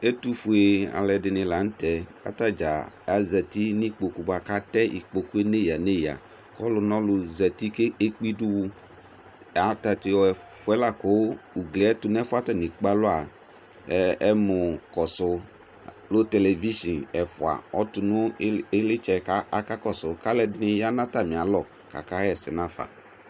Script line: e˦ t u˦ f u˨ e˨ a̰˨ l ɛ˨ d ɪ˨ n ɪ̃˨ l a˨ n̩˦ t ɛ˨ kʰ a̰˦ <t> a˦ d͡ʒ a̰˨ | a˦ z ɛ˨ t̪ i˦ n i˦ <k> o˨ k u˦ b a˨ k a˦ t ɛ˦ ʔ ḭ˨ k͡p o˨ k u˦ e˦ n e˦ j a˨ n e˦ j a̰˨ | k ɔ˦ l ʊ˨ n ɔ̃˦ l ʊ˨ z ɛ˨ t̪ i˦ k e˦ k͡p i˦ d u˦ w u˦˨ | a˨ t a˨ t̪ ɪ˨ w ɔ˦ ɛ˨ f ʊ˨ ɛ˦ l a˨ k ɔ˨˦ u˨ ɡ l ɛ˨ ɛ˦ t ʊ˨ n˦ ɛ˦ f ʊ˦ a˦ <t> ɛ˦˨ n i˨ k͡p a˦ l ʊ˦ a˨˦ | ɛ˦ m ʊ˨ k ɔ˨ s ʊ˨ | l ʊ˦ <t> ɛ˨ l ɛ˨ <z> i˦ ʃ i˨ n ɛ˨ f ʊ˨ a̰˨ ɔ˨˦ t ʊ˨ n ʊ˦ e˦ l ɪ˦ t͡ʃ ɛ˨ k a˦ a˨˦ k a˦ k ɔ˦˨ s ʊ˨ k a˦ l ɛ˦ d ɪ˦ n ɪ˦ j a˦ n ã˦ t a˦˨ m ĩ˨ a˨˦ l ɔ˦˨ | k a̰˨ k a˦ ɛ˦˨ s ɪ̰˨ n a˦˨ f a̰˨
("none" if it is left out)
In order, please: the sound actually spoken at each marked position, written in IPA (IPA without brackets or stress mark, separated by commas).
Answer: t, k͡p, t, t, v